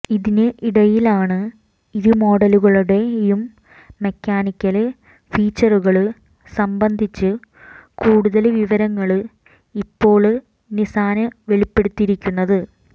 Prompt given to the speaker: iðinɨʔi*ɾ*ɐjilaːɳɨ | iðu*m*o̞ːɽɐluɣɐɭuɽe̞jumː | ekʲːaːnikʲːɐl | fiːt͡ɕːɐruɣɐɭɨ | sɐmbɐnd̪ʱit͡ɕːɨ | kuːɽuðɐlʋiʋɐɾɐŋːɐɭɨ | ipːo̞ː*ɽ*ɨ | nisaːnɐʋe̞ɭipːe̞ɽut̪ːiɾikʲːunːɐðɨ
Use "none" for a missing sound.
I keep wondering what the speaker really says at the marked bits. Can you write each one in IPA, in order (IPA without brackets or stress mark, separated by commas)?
ɽ, m, ɭ